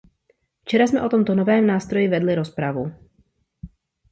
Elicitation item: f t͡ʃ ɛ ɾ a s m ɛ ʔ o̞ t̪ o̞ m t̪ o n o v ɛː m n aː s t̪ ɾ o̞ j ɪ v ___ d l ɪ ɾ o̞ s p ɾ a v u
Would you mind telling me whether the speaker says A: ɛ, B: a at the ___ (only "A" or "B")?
A